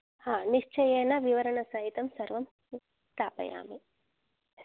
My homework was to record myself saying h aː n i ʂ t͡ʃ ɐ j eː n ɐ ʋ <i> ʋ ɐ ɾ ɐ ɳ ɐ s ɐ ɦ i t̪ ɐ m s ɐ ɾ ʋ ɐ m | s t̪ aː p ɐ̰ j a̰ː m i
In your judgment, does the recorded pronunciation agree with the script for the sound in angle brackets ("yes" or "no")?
yes